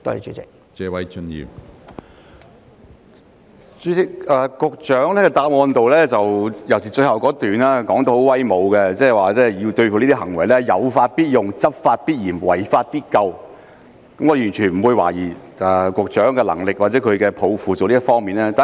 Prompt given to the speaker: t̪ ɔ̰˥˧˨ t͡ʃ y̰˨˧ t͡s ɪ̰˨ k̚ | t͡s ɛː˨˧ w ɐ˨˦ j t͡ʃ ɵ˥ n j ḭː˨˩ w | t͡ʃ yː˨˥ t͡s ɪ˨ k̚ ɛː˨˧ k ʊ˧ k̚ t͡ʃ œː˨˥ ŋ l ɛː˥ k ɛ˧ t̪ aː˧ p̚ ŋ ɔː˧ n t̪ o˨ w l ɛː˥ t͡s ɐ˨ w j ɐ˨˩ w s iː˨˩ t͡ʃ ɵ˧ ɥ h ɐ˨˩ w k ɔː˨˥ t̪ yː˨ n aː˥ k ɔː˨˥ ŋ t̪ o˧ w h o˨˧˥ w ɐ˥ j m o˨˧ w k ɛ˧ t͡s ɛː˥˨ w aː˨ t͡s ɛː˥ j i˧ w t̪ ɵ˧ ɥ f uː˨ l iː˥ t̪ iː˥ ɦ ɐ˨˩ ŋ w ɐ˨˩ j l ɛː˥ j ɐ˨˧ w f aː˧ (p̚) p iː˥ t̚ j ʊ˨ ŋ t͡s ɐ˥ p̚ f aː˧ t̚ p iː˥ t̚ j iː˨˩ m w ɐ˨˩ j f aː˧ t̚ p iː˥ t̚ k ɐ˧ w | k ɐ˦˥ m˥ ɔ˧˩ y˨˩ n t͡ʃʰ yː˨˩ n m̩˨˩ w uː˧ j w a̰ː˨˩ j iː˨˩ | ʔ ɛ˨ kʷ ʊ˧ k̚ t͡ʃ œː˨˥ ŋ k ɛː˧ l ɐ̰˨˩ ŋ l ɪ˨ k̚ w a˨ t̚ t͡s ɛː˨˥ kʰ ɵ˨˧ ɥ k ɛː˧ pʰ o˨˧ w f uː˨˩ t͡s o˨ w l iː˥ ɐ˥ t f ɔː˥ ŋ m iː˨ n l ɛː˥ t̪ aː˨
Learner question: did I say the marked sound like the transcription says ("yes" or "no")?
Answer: no